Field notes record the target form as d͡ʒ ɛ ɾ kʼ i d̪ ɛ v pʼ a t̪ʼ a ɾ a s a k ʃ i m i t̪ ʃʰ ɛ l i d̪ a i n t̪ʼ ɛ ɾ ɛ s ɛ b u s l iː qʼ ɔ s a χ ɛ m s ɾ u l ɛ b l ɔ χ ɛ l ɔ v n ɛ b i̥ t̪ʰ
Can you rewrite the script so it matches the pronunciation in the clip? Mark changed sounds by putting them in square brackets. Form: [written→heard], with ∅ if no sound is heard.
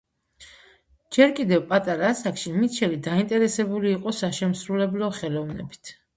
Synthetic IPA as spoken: d͡ʒ ɛ ɾ kʼ i d̪ ɛ v pʼ a t̪ʼ a ɾ a s a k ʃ i m i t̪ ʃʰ ɛ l i d̪ a i n t̪ʼ ɛ ɾ ɛ s ɛ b u [s→∅] l iː qʼ ɔ s a [χ→ʃ] ɛ m s ɾ u l ɛ b l ɔ χ ɛ l ɔ v n ɛ b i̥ t̪ʰ